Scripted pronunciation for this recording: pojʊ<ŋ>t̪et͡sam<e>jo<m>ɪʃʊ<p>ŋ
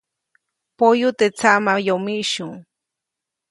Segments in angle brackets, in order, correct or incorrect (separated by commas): incorrect, incorrect, correct, incorrect